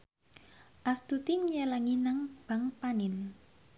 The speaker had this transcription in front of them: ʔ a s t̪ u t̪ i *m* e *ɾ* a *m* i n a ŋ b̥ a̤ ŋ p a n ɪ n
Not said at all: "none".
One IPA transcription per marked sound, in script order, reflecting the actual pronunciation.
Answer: ɲ, l, ŋ

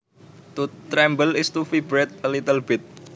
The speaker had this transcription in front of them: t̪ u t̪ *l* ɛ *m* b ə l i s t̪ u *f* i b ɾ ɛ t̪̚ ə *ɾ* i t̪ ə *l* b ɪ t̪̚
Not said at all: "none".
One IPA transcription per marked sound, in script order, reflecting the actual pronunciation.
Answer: ɾ, m, f, l, l

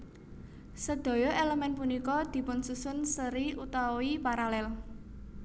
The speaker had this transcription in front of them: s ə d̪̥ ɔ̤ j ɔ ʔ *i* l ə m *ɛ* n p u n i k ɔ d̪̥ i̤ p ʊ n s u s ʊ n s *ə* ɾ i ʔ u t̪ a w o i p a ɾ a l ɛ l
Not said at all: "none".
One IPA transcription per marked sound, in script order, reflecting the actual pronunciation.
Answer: e, ɛ, ə

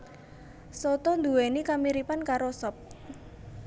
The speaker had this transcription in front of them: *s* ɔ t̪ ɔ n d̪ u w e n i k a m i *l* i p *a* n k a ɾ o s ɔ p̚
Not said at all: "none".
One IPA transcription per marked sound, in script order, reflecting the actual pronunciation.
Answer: s, ɾ, a

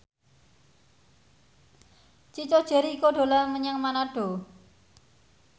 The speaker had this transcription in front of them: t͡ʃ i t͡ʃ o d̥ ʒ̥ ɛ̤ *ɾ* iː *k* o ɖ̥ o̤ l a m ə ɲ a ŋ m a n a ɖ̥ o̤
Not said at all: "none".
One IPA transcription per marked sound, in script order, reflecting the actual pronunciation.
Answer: ɾ, k

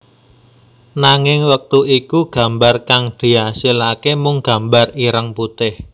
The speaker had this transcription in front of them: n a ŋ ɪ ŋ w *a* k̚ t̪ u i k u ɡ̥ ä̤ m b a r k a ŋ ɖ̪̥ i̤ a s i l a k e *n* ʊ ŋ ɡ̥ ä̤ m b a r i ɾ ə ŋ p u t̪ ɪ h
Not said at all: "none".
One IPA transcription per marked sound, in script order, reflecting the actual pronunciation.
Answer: ə, m

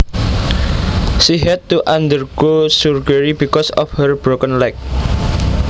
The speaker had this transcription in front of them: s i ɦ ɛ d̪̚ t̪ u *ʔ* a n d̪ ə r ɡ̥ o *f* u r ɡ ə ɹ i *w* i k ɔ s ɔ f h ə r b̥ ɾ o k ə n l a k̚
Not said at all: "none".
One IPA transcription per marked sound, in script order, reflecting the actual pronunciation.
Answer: ʔ, s, b

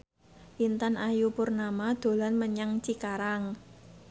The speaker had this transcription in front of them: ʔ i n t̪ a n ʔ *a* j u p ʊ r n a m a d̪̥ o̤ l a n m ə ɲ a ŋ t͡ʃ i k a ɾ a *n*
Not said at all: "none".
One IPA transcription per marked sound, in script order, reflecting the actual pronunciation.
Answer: a, ŋ

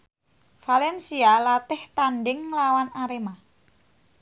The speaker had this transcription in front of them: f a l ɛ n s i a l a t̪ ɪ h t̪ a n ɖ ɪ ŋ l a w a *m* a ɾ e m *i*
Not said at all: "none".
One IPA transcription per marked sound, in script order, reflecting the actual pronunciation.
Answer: n, a

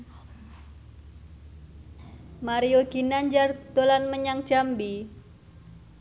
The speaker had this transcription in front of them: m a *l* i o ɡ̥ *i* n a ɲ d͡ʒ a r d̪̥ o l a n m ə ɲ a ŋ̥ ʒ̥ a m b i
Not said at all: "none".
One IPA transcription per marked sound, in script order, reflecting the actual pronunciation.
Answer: ɾ, i

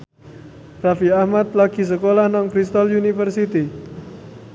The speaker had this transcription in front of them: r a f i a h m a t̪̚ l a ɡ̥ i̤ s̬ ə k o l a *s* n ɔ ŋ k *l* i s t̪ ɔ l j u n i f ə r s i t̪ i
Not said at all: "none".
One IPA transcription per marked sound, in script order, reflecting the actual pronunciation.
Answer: h, ɾ

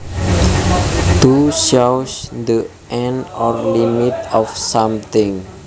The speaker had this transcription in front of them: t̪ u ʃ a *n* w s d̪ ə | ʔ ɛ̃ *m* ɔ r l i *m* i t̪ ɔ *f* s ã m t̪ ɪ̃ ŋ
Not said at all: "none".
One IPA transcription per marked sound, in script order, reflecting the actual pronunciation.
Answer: none, n, m, f

